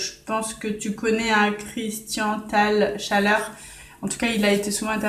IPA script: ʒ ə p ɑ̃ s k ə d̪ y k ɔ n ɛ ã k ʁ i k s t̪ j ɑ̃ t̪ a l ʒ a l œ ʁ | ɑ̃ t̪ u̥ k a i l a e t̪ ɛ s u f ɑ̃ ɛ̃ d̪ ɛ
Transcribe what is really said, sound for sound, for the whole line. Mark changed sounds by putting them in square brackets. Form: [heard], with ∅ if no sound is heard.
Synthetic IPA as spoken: ʒ ə p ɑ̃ s k ə [t̪] y k ɔ n ɛ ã k [χ] i [∅] s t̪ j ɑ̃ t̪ a l [ʃ] a l œ ʁ | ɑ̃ t̪ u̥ k a i l a e t̪ [e] s u [v] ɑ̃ ɛ̃ [t̪] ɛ